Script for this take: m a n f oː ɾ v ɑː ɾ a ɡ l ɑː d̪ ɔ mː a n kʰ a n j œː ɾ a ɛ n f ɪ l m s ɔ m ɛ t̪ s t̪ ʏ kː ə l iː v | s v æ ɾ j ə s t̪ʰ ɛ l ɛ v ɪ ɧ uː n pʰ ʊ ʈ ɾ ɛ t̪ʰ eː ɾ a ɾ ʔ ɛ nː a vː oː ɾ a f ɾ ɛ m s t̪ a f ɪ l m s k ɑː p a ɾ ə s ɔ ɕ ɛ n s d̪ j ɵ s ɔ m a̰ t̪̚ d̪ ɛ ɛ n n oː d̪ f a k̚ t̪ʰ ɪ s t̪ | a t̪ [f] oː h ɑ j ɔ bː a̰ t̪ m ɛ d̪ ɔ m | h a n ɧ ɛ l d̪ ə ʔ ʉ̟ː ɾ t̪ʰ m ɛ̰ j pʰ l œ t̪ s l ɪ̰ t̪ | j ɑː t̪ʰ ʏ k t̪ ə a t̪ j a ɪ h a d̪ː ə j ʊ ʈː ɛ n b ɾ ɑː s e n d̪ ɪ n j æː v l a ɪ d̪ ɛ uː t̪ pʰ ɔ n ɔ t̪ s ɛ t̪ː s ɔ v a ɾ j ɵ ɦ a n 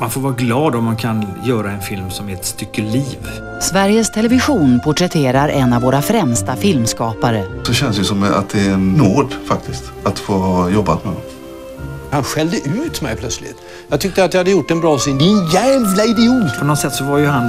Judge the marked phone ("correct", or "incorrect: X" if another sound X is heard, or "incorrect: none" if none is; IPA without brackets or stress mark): correct